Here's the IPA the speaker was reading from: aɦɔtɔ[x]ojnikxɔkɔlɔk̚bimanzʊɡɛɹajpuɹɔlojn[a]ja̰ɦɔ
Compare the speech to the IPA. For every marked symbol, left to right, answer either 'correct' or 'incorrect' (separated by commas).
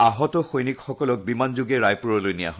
correct, incorrect